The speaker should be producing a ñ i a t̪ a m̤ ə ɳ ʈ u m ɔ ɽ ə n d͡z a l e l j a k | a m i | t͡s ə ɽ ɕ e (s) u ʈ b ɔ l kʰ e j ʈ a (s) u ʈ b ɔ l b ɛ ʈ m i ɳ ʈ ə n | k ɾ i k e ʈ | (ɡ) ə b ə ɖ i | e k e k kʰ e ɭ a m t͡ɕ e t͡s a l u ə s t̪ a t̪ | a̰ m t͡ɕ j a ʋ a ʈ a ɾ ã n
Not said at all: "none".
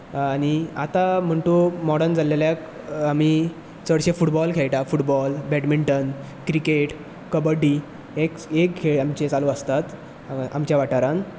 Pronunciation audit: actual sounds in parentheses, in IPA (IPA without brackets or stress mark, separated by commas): f, f, k